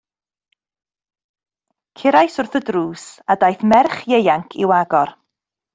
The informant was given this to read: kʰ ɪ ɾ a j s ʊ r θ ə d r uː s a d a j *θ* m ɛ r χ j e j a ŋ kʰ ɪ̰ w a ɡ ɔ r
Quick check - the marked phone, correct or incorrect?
correct